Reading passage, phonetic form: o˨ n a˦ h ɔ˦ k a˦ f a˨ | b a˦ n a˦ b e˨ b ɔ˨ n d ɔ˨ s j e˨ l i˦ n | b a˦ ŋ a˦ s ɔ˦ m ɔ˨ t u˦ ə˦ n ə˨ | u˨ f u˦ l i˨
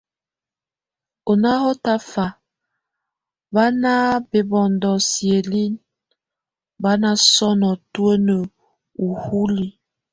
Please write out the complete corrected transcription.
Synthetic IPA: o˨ n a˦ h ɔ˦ t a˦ f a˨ | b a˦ n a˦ b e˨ b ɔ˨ n d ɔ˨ s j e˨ l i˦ n | b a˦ n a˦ s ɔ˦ n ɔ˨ t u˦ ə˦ n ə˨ | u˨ h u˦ l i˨